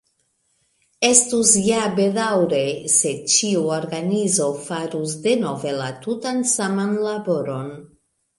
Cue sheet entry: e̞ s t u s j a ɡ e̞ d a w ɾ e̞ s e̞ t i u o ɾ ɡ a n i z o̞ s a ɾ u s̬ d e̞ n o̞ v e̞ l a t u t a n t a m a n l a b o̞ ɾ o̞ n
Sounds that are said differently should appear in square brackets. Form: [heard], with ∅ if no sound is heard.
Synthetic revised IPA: e̞ s t u s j a [b] e̞ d a w ɾ e̞ s e̞ [t͡ʃ] i u o ɾ ɡ a n i z o̞ [f] a ɾ u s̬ d e̞ n o̞ v e̞ l a t u t a n [s] a m a n l a b o̞ ɾ o̞ n